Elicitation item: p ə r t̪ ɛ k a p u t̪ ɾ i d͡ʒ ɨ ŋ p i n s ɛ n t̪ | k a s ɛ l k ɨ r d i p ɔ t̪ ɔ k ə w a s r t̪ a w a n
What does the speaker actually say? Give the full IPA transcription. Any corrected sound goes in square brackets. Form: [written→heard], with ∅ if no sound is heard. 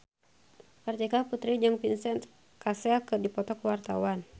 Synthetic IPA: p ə r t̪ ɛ k a p u t̪ ɾ i d͡ʒ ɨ ŋ p i n s ɛ n t̪ | k a s ɛ l k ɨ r d i p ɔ t̪ ɔ k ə w a [s→∅] r t̪ a w a n